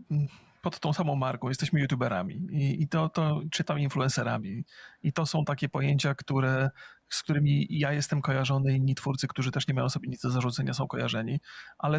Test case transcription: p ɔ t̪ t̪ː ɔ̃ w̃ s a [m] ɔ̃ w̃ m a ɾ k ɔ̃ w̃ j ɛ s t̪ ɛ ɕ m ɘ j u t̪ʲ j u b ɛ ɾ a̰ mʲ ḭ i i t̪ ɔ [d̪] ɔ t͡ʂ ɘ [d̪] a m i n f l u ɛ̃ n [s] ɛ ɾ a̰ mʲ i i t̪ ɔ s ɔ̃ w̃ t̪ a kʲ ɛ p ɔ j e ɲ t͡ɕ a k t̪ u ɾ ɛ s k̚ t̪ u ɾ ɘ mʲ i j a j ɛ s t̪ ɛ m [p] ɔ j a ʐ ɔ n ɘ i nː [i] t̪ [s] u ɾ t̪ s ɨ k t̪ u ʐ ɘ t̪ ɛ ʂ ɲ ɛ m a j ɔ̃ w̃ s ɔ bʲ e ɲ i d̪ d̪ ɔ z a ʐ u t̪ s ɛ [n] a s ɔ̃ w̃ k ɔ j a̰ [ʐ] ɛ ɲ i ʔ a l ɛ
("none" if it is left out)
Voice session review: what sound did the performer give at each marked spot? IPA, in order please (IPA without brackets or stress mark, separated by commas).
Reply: m, t̪, t̪, s, k, i, f, ɲ, ʐ